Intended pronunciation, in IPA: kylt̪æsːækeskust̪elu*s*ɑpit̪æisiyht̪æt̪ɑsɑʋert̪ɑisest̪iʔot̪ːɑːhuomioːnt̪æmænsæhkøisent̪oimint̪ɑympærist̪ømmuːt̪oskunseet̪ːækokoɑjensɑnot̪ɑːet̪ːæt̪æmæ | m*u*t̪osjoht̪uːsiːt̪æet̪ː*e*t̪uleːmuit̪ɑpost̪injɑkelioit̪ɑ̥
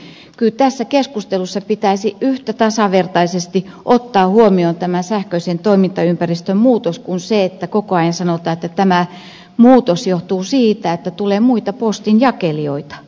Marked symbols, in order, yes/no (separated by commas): no, no, no